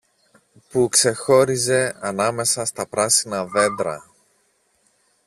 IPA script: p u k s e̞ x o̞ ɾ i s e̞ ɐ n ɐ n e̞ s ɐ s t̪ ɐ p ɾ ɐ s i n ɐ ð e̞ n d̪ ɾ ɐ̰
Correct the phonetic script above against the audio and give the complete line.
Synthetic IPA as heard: p u k s e̞ x o̞ ɾ i z e̞ ɐ n ɐ m e̞ s ɐ s t̪ ɐ p ɾ ɐ s i n ɐ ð e̞ n d̪ ɾ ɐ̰